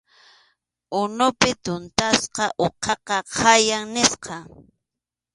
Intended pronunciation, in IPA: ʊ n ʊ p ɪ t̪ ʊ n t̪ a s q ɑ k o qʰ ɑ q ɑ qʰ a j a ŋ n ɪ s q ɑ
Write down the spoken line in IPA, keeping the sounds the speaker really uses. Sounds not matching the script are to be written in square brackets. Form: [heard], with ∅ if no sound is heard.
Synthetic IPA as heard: ʊ n ʊ p ɪ t̪ ʊ n t̪ a s q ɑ [ʔ] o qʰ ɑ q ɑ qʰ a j a ŋ n ɪ s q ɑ